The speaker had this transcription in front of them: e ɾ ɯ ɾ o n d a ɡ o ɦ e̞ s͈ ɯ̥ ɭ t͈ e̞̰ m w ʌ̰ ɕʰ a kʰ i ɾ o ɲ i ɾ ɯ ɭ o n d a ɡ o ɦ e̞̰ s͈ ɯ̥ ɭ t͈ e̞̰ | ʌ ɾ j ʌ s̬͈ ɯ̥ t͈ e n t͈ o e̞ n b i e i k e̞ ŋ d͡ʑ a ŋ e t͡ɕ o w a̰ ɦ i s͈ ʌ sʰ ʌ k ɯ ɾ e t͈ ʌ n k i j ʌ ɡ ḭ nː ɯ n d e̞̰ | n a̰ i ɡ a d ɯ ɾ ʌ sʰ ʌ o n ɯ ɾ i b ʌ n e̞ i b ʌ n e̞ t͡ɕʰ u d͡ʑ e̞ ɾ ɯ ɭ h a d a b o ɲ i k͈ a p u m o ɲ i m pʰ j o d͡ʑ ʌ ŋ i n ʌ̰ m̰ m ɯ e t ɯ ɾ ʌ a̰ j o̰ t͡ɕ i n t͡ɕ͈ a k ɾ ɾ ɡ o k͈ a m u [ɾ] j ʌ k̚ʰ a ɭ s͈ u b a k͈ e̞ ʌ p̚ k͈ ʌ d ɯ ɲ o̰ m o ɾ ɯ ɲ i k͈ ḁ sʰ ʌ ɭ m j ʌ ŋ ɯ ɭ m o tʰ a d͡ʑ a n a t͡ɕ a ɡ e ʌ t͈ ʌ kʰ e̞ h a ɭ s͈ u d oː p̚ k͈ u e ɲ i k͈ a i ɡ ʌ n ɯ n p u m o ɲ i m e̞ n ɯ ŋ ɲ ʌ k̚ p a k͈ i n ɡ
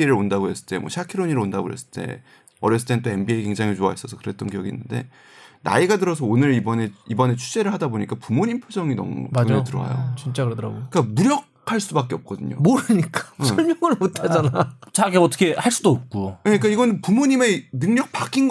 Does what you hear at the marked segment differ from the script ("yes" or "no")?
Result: no